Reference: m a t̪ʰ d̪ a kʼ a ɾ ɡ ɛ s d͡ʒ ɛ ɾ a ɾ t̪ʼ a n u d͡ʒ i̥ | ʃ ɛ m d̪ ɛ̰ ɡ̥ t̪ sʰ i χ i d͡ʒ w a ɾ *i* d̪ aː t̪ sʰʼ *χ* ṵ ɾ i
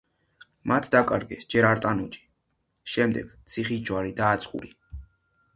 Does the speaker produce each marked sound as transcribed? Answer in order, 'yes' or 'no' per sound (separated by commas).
yes, yes